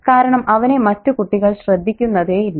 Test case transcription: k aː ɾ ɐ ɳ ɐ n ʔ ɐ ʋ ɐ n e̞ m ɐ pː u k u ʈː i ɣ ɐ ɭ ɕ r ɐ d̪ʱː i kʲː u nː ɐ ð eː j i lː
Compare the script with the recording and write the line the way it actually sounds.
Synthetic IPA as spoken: k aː ɾ ɐ ɳ ɐ m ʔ ɐ ʋ ɐ n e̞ m ɐ tː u k u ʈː i ɣ ɐ ɭ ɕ r ɐ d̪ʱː i kʲː u nː ɐ ð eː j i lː